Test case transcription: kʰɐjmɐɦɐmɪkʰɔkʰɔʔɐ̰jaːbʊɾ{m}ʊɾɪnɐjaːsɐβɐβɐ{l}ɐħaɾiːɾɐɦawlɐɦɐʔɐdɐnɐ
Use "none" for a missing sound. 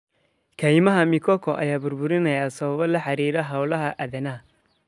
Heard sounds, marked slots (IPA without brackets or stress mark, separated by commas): b, l